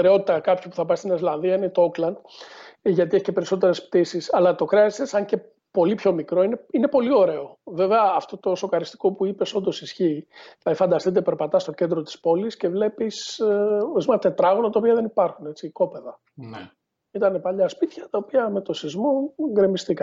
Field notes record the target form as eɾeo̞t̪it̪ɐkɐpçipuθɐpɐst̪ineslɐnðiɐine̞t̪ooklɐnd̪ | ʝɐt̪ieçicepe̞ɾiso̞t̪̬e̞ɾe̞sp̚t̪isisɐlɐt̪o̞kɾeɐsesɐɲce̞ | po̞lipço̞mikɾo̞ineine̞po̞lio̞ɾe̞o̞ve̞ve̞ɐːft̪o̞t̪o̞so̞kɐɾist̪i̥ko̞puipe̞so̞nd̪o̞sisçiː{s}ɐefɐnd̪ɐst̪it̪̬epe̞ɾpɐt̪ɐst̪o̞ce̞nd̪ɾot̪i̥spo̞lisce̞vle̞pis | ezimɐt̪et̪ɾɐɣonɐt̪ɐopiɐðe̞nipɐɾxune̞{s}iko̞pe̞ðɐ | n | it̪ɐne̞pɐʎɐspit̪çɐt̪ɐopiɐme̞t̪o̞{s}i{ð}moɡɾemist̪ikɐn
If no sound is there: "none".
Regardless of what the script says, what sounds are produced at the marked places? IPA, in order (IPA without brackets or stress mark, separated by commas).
θ, t͡s, s, z